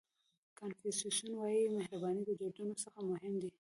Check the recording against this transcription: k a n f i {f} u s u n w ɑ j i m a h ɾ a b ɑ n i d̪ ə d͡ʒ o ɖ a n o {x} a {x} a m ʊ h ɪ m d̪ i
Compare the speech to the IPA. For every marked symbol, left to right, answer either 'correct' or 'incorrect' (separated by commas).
incorrect, incorrect, correct